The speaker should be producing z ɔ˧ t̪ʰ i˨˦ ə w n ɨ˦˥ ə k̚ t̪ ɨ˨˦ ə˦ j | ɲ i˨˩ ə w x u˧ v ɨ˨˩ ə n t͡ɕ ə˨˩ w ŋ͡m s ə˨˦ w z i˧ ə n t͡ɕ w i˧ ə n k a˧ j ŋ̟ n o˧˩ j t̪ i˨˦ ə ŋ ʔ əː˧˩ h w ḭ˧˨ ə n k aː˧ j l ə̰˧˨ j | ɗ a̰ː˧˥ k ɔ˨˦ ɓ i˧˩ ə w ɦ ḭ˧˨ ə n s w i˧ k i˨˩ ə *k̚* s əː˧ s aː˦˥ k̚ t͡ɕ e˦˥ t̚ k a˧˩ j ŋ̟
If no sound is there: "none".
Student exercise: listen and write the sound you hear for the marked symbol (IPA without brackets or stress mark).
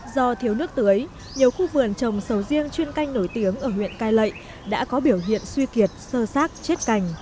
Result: t̚